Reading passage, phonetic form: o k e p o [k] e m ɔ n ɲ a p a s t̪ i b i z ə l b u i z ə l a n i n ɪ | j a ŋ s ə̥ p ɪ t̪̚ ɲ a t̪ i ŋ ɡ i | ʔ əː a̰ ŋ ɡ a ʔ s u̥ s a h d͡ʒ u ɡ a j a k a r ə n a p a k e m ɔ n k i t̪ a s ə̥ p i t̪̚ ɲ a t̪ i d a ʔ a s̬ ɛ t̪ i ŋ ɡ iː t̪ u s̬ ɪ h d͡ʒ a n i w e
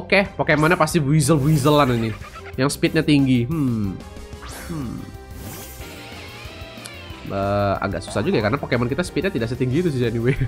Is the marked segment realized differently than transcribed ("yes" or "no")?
no